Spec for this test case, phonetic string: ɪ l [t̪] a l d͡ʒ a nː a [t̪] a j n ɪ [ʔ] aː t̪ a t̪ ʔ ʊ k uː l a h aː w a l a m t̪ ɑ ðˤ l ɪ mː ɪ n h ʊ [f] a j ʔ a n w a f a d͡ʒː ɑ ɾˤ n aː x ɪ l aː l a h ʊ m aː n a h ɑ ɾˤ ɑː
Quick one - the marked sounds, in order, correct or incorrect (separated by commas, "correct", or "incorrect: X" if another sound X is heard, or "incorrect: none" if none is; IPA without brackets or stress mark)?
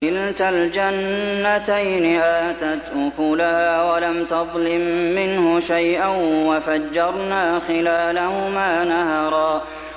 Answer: correct, correct, correct, incorrect: ʃ